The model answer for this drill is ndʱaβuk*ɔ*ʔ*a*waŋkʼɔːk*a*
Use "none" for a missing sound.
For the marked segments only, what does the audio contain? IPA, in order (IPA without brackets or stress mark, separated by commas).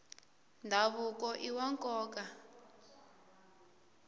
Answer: ɔ, i, a